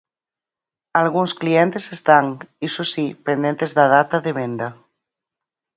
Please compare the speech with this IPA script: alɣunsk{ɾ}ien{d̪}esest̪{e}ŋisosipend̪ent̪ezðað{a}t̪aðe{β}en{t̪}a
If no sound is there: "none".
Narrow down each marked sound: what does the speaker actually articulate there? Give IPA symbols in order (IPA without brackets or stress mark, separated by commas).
l, t̪, a, a, β, d̪